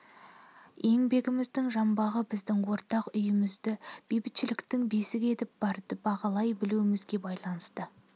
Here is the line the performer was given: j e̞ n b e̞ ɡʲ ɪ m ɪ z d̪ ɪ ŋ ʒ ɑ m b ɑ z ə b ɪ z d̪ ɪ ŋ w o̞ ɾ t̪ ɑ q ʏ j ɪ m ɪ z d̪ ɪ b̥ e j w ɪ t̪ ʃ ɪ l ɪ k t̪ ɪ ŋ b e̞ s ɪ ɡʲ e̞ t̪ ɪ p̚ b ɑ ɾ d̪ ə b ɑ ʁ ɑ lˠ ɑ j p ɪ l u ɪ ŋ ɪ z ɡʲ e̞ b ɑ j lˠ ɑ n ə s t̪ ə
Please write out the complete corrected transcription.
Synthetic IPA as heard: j e̞ ŋ b e̞ ɡʲ ɪ m ɪ z d̪ ɪ ŋ ʒ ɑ m b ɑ ʁ ə b ɪ z d̪ ɪ ŋ w o̞ ɾ t̪ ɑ q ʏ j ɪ m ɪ z d̪ ɪ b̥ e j b ɪ t̪ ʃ ɪ l ɪ k t̪ ɪ ŋ b e̞ s ɪ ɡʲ e̞ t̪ ɪ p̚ b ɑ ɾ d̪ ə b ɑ ʁ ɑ lˠ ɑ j b ɪ l u ɪ m ɪ z ɡʲ e̞ b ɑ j lˠ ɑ n ə s t̪ ə